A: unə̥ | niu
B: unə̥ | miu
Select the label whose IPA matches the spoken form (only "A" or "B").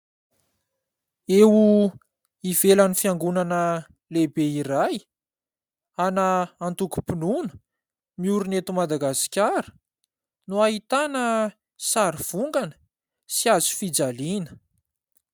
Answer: B